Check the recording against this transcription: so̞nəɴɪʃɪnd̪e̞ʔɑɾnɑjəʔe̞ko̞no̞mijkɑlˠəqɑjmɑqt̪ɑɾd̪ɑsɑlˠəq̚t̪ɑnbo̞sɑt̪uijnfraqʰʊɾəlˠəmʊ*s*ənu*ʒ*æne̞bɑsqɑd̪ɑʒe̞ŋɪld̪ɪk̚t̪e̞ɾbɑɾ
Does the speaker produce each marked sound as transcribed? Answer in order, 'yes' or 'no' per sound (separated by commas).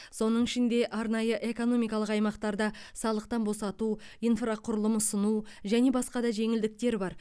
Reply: yes, yes